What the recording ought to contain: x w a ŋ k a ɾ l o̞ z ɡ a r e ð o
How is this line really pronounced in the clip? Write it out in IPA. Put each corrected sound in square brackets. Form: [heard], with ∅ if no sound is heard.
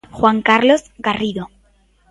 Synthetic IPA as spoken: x w a ŋ k a ɾ l o̞ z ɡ a r [i] ð o